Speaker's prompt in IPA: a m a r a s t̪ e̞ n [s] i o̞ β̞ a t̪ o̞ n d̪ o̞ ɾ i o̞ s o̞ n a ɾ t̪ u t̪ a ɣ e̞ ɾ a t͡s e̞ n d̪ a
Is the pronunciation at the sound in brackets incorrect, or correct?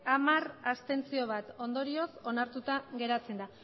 incorrect